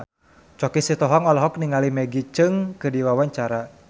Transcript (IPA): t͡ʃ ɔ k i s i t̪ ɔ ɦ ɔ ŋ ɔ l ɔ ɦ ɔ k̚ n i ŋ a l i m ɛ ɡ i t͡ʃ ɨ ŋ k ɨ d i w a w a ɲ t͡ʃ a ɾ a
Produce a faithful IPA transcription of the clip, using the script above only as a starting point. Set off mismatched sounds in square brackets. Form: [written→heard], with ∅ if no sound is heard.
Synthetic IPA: t͡ʃ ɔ k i s i t̪ ɔ ɦ ɔ ŋ ɔ l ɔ ɦ ɔ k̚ n i ŋ a l i m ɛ ɡ i t͡ʃ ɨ ŋ k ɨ d i w a w a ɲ t͡ʃ a ɾ a